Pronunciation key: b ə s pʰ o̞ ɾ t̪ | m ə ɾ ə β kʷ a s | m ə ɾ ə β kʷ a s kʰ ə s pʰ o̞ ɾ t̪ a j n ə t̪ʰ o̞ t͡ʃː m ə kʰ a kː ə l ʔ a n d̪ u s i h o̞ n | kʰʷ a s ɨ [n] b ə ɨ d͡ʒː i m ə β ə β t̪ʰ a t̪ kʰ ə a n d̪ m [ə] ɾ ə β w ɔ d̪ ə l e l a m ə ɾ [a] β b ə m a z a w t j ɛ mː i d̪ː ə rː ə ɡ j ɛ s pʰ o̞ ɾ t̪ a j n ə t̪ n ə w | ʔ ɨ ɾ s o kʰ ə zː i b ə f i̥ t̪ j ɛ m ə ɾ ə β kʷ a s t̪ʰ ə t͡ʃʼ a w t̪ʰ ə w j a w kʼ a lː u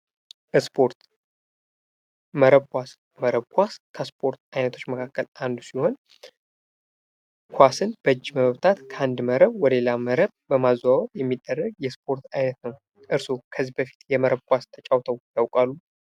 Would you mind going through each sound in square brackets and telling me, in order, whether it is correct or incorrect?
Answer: correct, correct, incorrect

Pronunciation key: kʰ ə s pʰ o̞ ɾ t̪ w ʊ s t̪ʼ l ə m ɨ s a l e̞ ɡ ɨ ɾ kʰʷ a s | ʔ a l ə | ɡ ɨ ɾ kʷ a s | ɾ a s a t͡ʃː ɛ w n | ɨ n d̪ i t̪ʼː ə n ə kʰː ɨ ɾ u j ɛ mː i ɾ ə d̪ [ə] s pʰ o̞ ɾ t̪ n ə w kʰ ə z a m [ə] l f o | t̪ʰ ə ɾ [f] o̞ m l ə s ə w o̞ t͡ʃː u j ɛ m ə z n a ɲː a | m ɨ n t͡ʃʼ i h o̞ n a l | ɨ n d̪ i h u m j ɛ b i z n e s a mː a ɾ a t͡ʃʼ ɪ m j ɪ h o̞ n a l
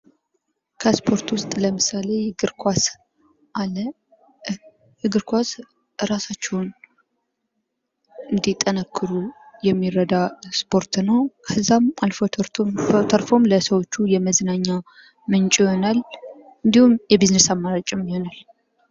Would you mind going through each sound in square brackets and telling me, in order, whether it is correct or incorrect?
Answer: incorrect, incorrect, correct

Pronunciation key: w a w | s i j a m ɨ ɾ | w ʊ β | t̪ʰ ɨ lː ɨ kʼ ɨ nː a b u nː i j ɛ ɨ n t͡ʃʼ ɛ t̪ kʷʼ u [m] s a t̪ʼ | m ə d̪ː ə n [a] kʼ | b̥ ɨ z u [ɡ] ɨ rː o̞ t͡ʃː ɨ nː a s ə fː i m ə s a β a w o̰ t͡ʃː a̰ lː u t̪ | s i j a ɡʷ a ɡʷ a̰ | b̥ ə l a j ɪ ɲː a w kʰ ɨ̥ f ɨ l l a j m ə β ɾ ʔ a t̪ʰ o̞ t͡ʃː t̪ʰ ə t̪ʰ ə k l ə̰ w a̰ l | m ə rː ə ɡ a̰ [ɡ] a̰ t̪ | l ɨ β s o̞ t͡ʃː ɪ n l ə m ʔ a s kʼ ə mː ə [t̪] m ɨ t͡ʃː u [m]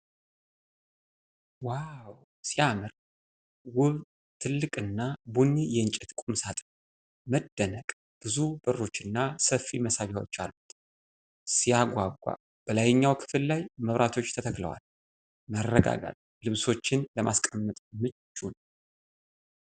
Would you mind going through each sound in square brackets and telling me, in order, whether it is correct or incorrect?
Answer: correct, incorrect, incorrect, correct, incorrect, incorrect

